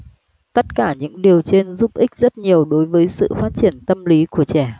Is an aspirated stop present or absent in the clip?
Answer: absent